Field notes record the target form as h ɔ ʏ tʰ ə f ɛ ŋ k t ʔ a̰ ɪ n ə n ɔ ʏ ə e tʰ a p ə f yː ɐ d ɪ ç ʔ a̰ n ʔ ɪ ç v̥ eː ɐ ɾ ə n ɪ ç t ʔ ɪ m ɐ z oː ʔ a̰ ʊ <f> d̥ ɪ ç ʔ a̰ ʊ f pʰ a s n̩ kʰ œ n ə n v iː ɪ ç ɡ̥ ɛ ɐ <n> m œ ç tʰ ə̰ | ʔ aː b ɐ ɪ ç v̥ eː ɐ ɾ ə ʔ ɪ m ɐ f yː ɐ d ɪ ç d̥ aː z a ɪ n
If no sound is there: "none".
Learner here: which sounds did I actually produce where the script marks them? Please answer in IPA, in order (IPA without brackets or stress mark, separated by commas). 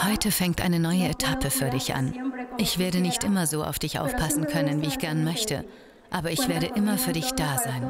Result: f, n